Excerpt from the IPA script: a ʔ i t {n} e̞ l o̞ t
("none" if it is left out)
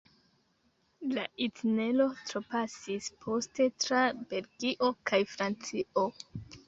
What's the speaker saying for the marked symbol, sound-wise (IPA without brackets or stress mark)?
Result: n